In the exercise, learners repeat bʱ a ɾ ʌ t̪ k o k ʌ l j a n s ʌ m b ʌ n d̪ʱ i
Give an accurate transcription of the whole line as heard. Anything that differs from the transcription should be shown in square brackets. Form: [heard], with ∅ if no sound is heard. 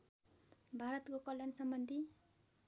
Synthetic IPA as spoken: bʱ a ɾ ʌ t̪ k o k ʌ l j a n s ʌ m b ʌ n d̪ʱ i